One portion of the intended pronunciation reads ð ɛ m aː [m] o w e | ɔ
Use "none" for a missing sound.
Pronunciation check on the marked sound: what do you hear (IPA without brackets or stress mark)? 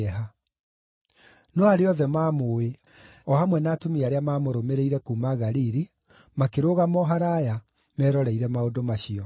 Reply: m